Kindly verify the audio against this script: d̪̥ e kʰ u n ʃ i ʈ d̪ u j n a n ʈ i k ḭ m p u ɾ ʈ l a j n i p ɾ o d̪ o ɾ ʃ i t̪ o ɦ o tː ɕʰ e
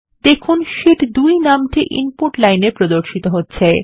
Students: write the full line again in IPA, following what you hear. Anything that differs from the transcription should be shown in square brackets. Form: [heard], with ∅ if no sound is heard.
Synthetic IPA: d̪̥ e kʰ u n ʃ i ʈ d̪ u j n a [m] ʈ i [ʔ] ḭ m p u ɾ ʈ l a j n [e] p ɾ o d̪ o ɾ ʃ i t̪ o ɦ o tː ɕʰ e